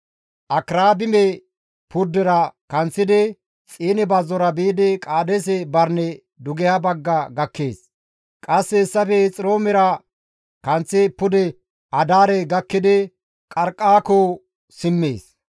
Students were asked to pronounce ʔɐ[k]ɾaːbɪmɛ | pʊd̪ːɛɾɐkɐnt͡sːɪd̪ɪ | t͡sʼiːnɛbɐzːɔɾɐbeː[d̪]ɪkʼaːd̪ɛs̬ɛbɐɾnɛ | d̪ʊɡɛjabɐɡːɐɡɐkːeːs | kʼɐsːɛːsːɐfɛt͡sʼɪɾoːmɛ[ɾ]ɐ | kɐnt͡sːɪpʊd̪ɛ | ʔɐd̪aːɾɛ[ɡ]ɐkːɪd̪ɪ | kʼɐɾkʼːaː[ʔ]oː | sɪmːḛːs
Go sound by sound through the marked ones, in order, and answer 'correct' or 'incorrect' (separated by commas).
correct, correct, correct, correct, incorrect